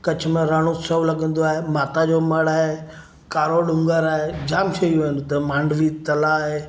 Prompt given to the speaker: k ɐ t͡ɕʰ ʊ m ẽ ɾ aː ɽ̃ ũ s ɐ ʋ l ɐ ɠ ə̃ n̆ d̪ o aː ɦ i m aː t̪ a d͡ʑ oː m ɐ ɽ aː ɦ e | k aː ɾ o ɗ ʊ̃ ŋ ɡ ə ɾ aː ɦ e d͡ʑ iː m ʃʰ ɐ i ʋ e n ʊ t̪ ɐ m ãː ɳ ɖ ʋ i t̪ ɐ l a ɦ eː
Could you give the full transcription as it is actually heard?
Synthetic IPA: k ɐ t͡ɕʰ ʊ m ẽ ɾ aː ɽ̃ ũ s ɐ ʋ l ɐ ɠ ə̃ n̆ d̪ o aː ɦ e m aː t̪ a d͡ʑ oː m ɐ ɽ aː ɦ e | k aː ɾ o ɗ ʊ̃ ŋ ɡ ə ɾ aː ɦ e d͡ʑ aː m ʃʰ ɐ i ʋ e n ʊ t̪ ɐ m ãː ɳ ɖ ʋ i t̪ ɐ l a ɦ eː

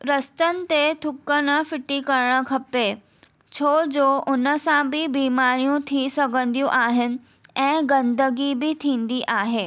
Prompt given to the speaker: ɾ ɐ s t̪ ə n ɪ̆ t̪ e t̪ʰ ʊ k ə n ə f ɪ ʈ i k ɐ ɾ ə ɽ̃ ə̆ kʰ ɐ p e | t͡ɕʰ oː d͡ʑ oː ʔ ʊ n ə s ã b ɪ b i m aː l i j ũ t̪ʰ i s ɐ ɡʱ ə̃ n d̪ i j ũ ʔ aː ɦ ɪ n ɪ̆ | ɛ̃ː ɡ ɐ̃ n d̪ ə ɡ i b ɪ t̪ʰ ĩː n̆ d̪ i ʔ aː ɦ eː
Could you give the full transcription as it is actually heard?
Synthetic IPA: ɾ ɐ s t̪ ə n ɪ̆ t̪ e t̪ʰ ʊ k ə n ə f ɪ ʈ i k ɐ ɾ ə ɽ̃ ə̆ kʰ ɐ p e | t͡ɕʰ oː d͡ʑ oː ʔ ʊ n ə s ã b ɪ b iː m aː ɾ i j ũ t̪ʰ i s ɐ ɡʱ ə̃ n d̪ i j ũ ʔ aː ɦ ɪ n ɪ̆ | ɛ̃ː ɡ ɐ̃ n d̪ ə ɡ i b ɪ t̪ʰ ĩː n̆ d̪ i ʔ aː ɦ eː

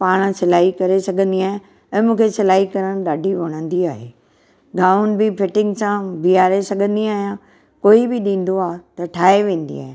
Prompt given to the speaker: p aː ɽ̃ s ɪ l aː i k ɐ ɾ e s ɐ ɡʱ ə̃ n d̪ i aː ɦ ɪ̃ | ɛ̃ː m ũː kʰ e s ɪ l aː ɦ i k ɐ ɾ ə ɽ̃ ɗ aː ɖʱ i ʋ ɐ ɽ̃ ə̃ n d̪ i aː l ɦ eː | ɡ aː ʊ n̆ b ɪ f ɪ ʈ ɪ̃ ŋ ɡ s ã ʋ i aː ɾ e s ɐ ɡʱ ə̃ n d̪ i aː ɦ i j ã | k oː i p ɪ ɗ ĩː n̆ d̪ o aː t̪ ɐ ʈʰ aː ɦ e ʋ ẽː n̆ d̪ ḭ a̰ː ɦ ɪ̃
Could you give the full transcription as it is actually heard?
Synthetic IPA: p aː ɽ̃ s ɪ l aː i k ɐ ɾ e s ɐ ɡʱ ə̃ n d̪ i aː ɦ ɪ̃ | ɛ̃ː m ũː kʰ e s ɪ l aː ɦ i k ɐ ɾ ə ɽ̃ ɗ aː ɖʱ i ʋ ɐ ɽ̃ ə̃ n d̪ i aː ɦ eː | ɡ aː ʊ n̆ b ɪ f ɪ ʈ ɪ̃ ŋ ɡ s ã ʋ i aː ɾ e s ɐ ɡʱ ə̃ n d̪ i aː ɦ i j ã | k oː i b ɪ ɗ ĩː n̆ d̪ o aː t̪ ɐ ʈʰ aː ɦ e ʋ ẽː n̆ d̪ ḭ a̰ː ɦ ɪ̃

